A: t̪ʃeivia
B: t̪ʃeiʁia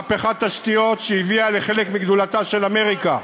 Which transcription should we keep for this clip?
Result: A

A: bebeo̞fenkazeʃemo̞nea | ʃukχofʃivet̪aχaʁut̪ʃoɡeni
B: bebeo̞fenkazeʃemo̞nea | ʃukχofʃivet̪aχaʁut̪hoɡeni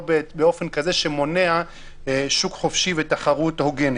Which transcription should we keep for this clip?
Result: B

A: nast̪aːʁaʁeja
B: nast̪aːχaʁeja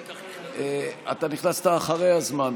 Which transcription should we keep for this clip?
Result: B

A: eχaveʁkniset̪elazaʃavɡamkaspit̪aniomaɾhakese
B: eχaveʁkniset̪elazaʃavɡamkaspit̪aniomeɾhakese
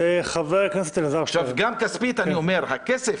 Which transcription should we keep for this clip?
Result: B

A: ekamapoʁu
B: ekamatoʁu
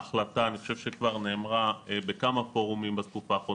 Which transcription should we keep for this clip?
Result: A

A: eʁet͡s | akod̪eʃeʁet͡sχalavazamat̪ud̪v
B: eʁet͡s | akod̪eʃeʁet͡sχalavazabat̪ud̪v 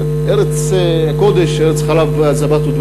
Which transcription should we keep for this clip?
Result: B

